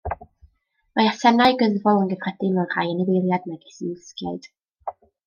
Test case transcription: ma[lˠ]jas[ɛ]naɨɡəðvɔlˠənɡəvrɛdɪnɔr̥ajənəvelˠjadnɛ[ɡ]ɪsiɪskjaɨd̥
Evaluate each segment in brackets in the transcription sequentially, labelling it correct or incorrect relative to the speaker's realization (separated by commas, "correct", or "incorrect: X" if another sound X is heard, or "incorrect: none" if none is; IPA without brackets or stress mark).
incorrect: none, correct, correct